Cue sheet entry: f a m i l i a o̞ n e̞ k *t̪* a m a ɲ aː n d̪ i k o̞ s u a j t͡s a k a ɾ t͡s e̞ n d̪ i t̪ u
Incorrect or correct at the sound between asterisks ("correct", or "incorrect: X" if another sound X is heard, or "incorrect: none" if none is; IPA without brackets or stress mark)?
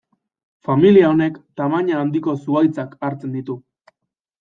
correct